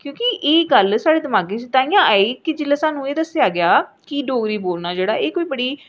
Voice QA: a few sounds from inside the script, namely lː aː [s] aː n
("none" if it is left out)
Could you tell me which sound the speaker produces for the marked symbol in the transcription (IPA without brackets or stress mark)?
s